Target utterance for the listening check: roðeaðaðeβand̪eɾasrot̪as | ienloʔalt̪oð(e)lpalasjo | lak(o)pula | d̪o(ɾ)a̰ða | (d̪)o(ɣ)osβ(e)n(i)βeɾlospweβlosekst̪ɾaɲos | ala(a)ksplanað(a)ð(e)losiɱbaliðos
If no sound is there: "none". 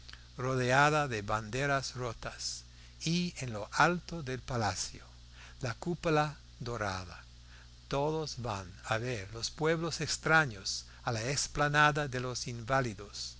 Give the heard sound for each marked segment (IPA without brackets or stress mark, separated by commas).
e, u, ɾ, t̪, ð, a, a, e, a, e